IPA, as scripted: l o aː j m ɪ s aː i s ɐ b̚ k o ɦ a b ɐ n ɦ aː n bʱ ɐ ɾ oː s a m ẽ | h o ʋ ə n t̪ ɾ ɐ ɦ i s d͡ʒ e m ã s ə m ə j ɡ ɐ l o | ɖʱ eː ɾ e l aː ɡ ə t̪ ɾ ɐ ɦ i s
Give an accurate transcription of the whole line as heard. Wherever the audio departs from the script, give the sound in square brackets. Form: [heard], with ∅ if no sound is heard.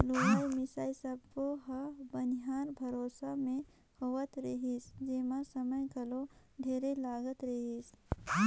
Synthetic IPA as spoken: l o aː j m ɪ s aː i s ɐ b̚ k o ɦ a b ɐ n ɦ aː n bʱ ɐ ɾ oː s a m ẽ | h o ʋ ə [∅] t̪ ɾ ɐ ɦ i s d͡ʒ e m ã s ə m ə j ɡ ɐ l o | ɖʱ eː ɾ e l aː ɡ ə t̪ ɾ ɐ ɦ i s